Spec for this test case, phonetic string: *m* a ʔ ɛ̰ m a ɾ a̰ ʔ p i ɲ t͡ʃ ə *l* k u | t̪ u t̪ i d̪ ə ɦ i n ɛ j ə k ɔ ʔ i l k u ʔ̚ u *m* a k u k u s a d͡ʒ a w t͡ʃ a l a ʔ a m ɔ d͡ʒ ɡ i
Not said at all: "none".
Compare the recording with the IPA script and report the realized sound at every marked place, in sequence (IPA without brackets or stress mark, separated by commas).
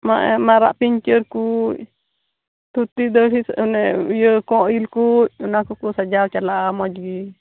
m, ɾ, n